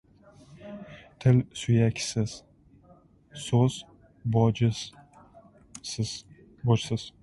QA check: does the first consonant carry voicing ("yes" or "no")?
no